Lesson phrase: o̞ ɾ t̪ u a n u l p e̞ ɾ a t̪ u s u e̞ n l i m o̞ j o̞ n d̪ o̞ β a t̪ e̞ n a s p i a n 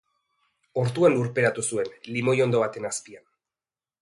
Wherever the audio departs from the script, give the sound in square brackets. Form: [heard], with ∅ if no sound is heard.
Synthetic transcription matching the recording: o̞ ɾ t̪ u a n u [ɾ] p e̞ ɾ a t̪ u s u e̞ n l i m o̞ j o̞ n d̪ o̞ β a t̪ e̞ n a s p i a n